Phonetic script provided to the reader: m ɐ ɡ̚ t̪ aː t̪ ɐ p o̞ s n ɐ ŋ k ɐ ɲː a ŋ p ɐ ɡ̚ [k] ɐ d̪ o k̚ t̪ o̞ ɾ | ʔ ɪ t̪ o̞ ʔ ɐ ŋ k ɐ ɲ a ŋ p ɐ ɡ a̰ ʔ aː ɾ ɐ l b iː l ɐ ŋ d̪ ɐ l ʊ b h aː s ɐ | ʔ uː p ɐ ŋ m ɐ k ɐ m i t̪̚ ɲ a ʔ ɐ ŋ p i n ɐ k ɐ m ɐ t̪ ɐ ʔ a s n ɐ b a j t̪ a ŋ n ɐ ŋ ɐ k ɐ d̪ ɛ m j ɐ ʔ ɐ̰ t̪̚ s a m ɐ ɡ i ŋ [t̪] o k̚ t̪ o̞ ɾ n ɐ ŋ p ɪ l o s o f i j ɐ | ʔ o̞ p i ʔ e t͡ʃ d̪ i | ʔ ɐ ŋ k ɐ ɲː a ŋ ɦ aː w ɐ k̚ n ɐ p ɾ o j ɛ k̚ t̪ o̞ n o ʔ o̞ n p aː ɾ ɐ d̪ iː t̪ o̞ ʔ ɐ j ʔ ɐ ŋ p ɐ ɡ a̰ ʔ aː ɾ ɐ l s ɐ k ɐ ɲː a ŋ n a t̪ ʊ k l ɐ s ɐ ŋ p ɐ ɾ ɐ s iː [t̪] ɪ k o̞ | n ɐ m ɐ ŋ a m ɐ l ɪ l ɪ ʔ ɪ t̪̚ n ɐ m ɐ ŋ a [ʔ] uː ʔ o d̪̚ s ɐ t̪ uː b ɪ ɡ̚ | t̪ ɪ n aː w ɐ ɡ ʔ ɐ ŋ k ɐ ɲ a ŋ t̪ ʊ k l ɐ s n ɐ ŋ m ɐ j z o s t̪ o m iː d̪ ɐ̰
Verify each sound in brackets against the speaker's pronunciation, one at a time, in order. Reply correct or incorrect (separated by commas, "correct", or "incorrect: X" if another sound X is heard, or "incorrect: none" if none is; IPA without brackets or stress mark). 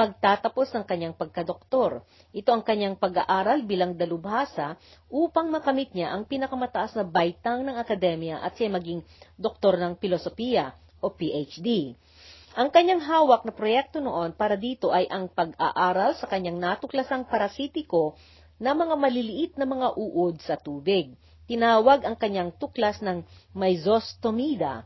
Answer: correct, incorrect: d̪, correct, correct